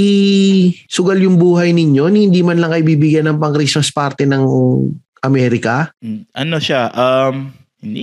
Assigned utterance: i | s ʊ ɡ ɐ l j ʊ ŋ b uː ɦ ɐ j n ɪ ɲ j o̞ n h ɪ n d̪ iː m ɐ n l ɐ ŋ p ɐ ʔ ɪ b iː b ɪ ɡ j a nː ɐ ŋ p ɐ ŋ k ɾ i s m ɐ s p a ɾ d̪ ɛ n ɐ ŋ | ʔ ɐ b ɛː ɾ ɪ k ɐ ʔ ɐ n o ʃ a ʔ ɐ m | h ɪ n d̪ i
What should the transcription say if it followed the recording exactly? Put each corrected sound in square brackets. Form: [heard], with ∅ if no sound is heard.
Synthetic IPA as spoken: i | s ʊ ɡ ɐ l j ʊ ŋ b uː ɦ ɐ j n ɪ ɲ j o̞ n h ɪ n d̪ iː m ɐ n l ɐ ŋ [k] ɐ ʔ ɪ b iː b ɪ ɡ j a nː ɐ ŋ p ɐ ŋ k ɾ i s m ɐ s p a ɾ [t̪] ɛ n ɐ ŋ | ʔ ɐ [m] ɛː ɾ ɪ k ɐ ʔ ɐ n o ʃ a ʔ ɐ m | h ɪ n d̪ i